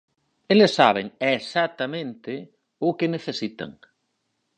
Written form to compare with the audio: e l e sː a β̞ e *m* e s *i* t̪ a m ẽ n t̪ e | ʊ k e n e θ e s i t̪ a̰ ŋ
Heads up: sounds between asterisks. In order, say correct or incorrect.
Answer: incorrect, incorrect

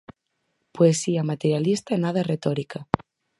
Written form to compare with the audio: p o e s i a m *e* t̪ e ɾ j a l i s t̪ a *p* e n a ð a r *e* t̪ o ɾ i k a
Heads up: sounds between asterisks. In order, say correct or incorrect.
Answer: incorrect, incorrect, correct

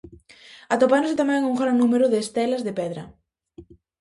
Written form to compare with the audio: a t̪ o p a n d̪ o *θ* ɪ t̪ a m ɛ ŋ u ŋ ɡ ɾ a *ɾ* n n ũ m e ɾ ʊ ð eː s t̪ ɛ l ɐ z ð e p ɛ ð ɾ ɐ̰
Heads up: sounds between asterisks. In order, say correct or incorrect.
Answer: incorrect, incorrect

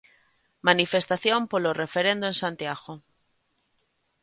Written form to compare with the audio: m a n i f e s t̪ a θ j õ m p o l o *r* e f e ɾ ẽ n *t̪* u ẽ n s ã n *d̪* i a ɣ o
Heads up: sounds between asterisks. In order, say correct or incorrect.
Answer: correct, incorrect, incorrect

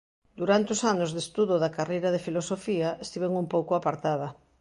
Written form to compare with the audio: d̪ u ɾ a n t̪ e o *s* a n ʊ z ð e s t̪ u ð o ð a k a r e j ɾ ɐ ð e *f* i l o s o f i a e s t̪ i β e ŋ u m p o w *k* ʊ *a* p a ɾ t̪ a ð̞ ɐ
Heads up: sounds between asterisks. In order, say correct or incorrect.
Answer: correct, correct, correct, correct

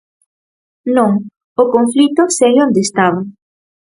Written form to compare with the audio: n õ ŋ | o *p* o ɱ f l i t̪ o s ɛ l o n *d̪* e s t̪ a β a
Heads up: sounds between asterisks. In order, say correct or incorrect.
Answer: incorrect, correct

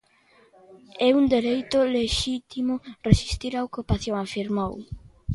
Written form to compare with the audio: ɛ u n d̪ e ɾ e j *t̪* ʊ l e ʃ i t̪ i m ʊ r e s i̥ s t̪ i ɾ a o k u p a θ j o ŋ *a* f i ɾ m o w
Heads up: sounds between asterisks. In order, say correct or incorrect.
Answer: correct, correct

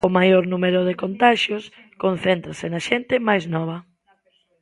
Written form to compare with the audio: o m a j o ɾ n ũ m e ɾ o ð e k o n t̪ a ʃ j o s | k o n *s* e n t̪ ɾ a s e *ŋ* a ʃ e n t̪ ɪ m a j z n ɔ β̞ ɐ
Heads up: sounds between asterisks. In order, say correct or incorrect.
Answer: incorrect, incorrect

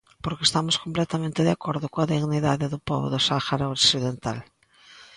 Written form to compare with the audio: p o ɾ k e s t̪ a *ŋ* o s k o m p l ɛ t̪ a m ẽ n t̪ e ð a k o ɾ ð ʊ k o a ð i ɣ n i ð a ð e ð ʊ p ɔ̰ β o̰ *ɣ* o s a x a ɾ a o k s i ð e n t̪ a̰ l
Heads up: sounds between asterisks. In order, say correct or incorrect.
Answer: incorrect, incorrect

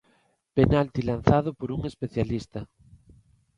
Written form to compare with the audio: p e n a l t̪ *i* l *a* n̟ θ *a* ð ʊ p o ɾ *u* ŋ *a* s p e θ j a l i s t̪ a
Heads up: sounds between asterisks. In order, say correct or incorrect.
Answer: correct, correct, correct, correct, incorrect

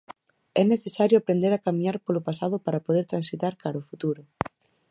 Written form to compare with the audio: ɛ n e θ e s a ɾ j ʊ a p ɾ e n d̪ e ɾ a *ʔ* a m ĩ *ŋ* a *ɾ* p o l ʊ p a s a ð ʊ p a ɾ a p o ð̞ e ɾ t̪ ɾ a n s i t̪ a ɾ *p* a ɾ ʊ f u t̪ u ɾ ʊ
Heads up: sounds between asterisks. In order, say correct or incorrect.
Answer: incorrect, incorrect, correct, incorrect

